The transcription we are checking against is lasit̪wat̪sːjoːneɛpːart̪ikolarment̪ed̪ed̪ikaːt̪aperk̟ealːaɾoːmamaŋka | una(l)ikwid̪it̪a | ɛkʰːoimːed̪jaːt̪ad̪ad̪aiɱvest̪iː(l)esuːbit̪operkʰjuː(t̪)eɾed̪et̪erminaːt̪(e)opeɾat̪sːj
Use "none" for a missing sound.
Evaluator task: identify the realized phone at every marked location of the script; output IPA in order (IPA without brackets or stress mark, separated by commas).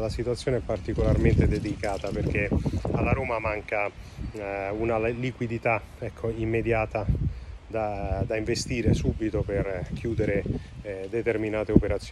l, ɾ, d̪, e